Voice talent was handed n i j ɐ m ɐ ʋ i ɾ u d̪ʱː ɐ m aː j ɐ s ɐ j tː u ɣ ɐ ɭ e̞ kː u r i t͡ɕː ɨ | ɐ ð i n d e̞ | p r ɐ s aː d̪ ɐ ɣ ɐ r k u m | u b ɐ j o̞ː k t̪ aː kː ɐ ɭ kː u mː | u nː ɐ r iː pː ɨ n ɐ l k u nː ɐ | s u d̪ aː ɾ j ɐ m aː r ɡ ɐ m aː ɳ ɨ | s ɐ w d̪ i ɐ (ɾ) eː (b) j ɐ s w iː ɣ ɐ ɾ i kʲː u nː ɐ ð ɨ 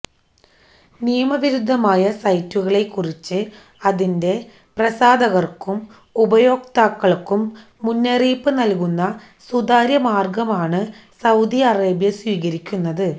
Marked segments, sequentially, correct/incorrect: incorrect: r, correct

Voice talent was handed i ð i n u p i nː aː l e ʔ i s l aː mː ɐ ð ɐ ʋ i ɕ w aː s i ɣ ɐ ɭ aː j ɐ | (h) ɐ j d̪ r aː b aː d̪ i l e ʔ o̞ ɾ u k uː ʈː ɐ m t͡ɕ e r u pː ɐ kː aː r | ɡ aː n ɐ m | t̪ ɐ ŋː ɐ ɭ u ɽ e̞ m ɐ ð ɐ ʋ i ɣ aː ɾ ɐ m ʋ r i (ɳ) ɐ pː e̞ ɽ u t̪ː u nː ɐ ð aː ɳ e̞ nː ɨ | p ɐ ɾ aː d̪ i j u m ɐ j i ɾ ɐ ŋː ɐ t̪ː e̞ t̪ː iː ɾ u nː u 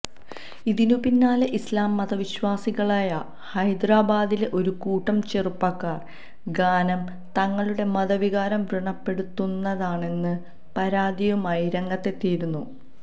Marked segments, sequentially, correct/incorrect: correct, correct

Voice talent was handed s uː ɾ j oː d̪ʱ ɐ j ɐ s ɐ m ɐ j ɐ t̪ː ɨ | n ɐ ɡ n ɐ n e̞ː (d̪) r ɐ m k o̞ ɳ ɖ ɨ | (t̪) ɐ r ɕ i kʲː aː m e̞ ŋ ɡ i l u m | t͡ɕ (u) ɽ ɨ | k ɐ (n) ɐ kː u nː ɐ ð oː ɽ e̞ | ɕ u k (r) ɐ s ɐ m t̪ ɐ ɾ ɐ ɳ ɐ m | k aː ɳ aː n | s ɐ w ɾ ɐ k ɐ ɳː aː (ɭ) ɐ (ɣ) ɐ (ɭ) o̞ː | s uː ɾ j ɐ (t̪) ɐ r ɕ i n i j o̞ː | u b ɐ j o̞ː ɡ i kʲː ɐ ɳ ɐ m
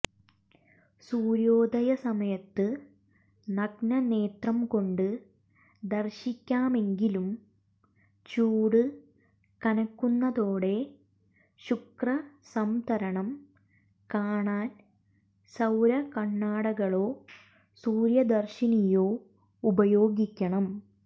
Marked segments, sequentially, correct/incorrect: incorrect: t̪, incorrect: d̪, incorrect: uː, correct, correct, incorrect: ɽ, correct, correct, incorrect: d̪

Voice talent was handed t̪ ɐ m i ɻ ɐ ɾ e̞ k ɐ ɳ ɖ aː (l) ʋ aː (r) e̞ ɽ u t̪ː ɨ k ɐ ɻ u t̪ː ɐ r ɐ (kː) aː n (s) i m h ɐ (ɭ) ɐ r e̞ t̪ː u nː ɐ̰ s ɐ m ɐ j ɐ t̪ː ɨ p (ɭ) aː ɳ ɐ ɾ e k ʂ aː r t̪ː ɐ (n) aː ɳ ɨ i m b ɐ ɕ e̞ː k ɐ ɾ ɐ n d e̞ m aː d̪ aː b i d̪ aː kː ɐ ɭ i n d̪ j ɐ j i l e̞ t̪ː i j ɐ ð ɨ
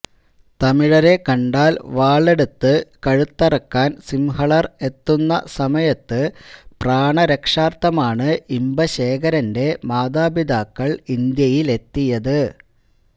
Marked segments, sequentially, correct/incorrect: correct, incorrect: ɭ, correct, correct, correct, incorrect: r, incorrect: m

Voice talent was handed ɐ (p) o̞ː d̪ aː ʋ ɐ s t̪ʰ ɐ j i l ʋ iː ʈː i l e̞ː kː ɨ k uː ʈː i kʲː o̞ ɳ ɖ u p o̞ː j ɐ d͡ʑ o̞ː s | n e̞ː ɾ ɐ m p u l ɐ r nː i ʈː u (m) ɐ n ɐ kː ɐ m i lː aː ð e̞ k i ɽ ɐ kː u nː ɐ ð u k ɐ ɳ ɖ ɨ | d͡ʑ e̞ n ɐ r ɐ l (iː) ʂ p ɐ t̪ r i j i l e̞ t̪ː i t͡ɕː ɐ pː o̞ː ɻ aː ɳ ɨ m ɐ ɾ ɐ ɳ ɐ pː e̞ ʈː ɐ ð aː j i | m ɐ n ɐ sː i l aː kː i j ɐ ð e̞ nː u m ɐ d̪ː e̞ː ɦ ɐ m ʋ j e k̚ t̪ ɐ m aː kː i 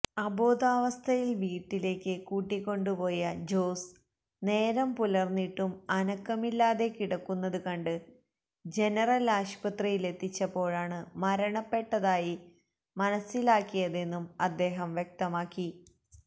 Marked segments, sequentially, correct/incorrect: incorrect: b, correct, incorrect: aː

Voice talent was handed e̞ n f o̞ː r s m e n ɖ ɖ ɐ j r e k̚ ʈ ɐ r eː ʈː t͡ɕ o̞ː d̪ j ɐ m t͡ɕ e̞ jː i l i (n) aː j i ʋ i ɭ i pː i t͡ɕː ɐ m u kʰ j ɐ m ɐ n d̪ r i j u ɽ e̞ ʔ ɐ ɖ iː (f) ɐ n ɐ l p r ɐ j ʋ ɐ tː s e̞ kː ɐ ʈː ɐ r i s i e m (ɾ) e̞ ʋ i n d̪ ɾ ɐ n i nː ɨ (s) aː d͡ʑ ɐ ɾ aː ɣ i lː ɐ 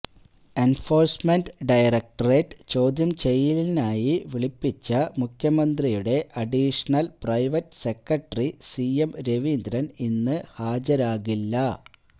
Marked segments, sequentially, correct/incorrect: correct, incorrect: ʂ, correct, incorrect: h

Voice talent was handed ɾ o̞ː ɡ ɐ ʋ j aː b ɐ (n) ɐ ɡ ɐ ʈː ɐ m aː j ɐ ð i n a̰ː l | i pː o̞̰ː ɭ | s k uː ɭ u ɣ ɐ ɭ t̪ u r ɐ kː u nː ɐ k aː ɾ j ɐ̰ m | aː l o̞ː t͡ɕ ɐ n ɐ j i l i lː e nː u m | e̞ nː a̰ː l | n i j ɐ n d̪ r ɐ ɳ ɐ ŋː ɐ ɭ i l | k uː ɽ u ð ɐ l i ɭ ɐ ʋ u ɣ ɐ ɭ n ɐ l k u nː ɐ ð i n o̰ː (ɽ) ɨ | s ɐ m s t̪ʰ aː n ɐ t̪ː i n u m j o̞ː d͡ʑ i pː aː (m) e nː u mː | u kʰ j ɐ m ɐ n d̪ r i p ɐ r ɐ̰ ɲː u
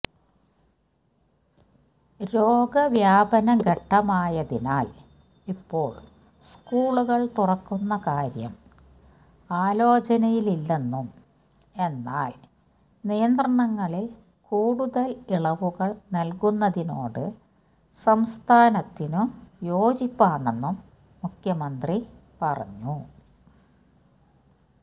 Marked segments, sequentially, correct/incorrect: correct, correct, incorrect: ɳ

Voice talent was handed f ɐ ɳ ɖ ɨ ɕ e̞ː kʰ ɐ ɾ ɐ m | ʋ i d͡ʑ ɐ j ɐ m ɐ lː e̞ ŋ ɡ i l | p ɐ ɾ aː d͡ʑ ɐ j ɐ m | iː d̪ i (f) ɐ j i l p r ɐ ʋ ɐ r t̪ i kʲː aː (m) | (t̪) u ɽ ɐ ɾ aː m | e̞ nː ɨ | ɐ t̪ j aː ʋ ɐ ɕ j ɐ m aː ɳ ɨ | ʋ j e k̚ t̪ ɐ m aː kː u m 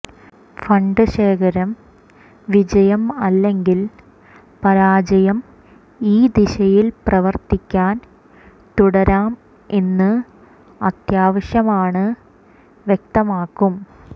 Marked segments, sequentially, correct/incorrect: incorrect: ɕ, incorrect: n, correct

